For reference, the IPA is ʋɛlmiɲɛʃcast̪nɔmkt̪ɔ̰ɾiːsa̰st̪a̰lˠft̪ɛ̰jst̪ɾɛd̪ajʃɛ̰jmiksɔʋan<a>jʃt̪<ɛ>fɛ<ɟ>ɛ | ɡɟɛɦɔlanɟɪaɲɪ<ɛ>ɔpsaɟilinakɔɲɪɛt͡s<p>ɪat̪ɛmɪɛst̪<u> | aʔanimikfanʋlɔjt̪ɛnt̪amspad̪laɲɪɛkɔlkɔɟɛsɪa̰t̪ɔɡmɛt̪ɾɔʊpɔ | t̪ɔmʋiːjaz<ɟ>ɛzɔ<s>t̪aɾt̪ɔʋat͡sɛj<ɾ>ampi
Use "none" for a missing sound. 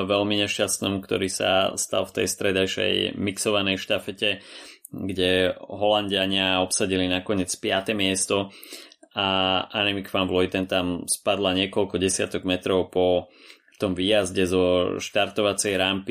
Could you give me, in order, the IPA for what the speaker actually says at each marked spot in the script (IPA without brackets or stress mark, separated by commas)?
ɛ, a, c, a, p, ɔ, ɟ, ʃ, ɾ